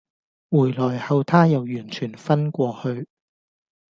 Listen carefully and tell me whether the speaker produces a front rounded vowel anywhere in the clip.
yes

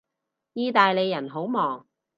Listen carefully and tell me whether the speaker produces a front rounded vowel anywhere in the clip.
no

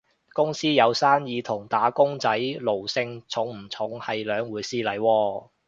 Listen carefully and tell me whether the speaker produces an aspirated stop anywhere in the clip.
yes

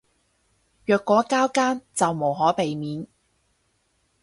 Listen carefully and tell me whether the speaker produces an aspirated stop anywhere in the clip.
no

